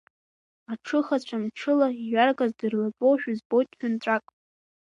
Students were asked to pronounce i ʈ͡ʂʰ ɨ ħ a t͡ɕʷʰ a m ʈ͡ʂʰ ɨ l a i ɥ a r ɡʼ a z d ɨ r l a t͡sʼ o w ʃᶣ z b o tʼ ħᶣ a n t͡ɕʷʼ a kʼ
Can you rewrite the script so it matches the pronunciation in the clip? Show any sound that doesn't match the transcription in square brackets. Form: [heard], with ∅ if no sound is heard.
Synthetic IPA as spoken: [a] ʈ͡ʂʰ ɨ [χ] a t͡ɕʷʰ a m ʈ͡ʂʰ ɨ l a i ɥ a r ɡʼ a z d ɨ r l a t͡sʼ o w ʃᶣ z b o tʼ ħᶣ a n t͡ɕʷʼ a kʼ